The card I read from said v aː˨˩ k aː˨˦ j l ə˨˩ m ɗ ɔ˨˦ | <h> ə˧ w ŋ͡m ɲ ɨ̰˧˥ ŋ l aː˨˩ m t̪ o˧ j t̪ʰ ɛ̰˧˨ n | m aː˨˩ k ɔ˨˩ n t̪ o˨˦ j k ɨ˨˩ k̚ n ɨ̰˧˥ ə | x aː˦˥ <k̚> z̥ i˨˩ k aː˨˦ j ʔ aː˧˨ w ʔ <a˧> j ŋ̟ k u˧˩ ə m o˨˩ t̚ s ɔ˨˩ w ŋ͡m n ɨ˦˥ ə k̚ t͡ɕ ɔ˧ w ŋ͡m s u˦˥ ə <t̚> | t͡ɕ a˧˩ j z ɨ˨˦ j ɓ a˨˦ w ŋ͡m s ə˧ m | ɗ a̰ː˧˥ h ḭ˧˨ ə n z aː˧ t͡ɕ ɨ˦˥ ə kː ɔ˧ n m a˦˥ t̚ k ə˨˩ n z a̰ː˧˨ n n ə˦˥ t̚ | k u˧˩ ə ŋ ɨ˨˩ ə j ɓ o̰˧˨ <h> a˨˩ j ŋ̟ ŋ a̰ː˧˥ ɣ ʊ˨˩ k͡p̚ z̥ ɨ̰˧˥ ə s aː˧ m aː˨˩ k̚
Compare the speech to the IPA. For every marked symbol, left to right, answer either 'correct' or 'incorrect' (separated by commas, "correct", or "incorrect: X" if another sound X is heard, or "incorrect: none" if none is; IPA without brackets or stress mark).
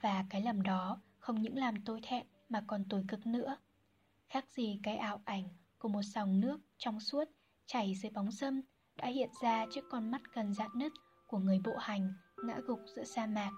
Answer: incorrect: x, correct, incorrect: a˧˩, correct, correct